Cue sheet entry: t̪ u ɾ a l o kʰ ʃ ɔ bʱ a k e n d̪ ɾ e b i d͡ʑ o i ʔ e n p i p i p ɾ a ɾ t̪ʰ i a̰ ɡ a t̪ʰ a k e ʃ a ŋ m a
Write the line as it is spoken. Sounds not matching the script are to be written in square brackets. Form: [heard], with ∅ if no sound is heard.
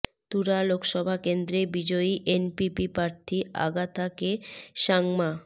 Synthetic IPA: t̪ u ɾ a l o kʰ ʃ ɔ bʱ a k e n d̪ ɾ e b i d͡ʑ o i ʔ e n p i p i p ɾ a ɾ t̪ʰ i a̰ ɡ a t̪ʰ a k e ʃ a ŋ m a

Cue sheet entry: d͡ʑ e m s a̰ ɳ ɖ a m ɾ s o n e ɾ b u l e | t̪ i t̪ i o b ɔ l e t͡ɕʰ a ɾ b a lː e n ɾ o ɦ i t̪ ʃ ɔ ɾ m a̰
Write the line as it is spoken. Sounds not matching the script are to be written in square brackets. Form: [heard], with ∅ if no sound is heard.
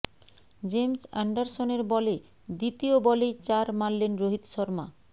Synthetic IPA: d͡ʑ e m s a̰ ɳ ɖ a [∅] ɾ s o n e ɾ b [ɔ] l e | [d̪] i t̪ i o b ɔ l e [t͡ɕ] a ɾ [m] a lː e n ɾ o ɦ i t̪ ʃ ɔ ɾ m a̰

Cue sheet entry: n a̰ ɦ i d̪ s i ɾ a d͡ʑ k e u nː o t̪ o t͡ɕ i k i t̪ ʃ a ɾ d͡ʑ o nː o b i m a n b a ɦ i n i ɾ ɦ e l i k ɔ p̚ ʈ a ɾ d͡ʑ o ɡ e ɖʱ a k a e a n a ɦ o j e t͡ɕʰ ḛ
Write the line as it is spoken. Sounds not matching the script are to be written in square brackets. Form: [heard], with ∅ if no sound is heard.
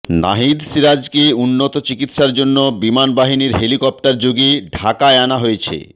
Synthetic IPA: n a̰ ɦ i d̪ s i ɾ a d͡ʑ k e u nː o t̪ o t͡ɕ i k i t̪ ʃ a ɾ d͡ʑ o nː o b i m a n b a ɦ i n i ɾ ɦ e l i k ɔ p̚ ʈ a ɾ d͡ʑ o ɡ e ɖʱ a k a e a n a ɦ o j e t͡ɕʰ ḛ

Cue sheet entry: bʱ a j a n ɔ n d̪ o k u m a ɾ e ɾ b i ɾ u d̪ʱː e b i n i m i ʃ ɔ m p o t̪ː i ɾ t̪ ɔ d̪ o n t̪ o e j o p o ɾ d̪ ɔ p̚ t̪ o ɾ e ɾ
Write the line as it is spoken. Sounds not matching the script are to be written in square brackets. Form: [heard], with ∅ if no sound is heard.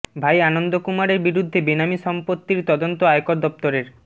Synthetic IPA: bʱ a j a n [o] n d̪ o k u m a ɾ e ɾ b i ɾ u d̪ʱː e b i n [a] m i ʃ ɔ m p o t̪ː i ɾ t̪ ɔ d̪ o n t̪ o [a] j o [k] o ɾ d̪ ɔ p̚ t̪ o ɾ e ɾ

